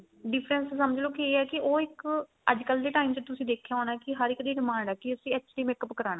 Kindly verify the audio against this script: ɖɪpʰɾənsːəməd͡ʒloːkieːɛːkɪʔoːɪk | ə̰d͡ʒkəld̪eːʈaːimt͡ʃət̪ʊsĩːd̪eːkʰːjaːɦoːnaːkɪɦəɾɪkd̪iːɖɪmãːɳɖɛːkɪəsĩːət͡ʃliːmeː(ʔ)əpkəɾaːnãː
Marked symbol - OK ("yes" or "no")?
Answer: no